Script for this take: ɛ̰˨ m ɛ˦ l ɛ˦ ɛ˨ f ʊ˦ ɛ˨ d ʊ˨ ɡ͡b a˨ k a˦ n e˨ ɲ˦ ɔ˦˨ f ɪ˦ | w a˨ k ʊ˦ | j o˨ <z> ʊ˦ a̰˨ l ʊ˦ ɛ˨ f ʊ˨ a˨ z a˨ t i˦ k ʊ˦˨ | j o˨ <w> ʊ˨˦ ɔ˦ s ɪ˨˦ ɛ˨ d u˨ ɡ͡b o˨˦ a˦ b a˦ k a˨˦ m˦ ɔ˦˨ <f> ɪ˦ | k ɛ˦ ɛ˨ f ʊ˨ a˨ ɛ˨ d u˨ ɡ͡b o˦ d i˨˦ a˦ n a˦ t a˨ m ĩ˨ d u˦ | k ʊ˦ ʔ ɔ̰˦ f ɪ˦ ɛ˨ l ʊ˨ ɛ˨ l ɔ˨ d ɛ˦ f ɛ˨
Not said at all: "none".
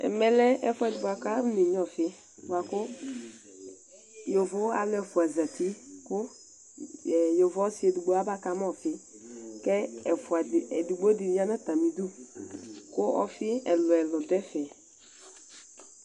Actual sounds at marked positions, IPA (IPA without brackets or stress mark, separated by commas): v, v, f